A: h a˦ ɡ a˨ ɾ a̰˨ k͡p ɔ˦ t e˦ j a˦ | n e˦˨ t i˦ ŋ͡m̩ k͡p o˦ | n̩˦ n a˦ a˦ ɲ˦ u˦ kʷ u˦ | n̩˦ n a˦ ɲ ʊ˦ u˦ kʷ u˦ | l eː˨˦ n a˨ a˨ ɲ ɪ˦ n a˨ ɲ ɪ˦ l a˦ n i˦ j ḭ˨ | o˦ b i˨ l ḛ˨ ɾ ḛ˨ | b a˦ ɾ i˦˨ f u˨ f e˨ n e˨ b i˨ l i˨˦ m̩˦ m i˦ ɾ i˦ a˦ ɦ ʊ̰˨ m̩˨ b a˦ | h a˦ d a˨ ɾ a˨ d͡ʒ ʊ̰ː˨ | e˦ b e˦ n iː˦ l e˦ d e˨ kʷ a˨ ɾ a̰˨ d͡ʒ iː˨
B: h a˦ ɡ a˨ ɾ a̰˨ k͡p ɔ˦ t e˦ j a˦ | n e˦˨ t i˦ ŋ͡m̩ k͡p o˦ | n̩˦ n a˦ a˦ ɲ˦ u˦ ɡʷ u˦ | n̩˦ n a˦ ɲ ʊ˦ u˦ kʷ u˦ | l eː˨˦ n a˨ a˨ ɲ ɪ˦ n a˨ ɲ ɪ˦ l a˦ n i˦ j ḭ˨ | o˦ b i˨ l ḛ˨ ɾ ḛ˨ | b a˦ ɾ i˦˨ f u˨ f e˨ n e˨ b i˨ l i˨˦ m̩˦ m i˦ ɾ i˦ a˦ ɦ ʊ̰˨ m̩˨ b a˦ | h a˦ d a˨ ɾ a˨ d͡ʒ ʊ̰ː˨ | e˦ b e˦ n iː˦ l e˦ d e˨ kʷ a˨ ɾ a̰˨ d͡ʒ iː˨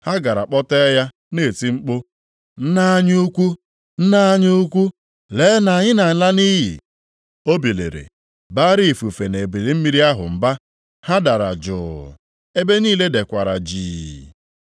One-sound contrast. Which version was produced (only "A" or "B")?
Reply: A